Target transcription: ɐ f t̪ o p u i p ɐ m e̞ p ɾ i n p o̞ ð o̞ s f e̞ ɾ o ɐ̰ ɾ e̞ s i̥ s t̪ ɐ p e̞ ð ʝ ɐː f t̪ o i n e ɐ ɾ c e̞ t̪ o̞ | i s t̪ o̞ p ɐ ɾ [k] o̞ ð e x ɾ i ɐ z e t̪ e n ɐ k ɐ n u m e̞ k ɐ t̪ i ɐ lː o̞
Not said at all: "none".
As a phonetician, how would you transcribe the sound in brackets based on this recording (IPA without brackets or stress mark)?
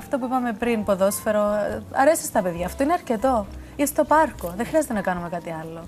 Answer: k